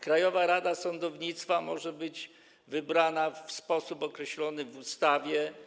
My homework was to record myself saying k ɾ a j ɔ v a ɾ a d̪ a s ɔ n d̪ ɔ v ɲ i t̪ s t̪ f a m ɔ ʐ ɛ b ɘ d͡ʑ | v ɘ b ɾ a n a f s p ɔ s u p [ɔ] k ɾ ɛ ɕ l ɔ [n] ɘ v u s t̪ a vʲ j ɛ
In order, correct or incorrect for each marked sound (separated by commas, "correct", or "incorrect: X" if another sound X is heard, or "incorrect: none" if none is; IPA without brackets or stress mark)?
correct, correct